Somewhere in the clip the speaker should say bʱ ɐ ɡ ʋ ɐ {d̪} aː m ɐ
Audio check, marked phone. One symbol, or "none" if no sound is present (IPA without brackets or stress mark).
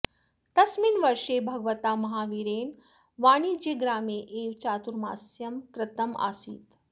t̪